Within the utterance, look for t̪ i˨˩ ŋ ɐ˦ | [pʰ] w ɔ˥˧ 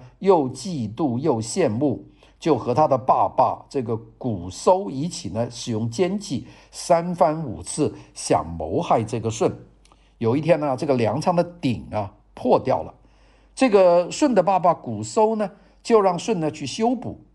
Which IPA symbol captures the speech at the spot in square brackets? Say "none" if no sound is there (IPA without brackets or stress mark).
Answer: pʰ